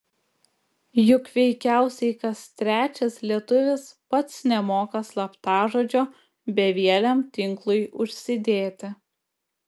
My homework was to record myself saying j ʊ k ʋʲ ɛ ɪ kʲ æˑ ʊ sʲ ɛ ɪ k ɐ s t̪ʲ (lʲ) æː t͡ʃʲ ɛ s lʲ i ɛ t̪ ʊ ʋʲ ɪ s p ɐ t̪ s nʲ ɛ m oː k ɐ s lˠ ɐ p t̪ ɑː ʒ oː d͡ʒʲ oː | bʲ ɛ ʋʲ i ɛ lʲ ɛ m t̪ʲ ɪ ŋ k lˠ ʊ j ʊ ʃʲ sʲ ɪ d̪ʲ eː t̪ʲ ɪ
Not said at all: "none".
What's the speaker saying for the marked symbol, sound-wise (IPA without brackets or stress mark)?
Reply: ɾʲ